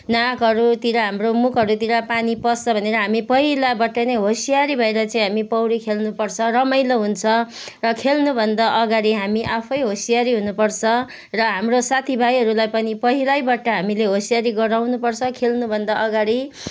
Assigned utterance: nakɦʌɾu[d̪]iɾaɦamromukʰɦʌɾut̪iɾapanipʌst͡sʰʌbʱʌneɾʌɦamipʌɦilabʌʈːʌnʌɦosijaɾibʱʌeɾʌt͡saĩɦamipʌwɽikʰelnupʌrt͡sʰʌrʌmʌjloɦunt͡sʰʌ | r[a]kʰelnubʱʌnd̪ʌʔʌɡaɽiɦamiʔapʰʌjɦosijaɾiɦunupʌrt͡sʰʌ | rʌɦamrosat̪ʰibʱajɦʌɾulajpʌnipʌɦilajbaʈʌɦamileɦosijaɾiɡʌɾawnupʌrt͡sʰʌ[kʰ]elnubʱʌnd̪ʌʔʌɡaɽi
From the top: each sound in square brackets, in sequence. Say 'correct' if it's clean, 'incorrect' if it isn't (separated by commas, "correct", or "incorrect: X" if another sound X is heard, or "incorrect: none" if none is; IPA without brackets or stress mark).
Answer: incorrect: t̪, incorrect: ʌ, correct